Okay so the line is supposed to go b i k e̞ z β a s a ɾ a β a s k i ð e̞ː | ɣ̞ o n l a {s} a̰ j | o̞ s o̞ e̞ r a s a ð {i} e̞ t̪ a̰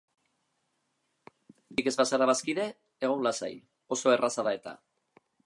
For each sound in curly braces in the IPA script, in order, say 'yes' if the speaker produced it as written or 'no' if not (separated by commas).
yes, no